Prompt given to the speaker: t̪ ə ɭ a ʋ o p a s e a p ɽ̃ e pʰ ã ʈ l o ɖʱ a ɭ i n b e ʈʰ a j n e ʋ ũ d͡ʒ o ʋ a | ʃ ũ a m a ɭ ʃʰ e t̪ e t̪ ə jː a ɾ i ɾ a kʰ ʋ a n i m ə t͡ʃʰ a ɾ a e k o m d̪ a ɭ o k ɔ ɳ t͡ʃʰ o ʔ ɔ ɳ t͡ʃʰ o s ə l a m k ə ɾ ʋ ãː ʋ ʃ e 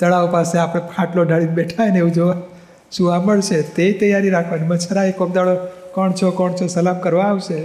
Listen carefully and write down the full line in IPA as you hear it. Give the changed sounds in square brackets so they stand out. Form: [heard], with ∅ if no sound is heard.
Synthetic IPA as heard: t̪ ə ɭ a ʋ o p a s e a p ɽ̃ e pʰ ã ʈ l o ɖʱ a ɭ i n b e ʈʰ a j n e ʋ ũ d͡ʒ o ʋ a | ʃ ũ a m [ə] ɭ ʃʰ e t̪ e t̪ ə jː a ɾ i ɾ a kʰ ʋ a n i m ə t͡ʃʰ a ɾ a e k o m d̪ a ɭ o k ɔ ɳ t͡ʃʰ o [k] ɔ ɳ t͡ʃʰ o s ə l a m k ə ɾ ʋ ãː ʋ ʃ e